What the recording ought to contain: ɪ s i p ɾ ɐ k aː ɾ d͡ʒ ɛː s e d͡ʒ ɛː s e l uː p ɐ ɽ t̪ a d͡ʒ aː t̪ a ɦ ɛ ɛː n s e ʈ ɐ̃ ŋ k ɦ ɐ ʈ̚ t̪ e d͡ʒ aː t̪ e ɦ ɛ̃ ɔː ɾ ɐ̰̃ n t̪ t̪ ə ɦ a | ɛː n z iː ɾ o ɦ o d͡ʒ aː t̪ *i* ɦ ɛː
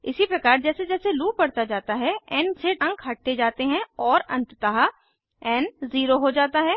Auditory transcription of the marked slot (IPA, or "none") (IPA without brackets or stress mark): a